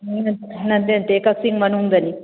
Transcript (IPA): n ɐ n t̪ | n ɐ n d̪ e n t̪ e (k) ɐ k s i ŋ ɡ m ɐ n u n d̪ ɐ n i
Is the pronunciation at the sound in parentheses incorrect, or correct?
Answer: correct